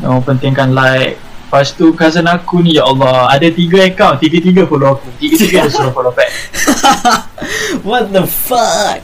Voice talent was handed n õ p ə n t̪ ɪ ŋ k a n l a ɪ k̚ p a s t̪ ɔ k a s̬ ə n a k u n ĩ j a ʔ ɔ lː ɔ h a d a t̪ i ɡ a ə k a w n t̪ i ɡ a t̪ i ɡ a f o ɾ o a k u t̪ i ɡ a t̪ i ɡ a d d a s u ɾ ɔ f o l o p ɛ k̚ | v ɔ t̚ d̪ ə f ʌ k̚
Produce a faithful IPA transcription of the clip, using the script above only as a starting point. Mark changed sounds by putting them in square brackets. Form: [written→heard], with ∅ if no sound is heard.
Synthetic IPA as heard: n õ p ə n t̪ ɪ ŋ k a n l a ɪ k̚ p a s t̪ [ɔ→u] k a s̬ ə n a k u n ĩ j a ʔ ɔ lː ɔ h a d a t̪ i ɡ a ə k a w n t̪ i ɡ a t̪ i ɡ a f o [ɾ→l] o a k u t̪ i ɡ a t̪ i ɡ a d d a s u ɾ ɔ f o l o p ɛ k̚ | [v→w] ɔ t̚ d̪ ə f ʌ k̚